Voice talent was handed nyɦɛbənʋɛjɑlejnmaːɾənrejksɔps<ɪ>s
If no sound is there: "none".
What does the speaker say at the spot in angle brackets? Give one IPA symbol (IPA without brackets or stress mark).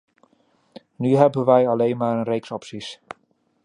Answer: i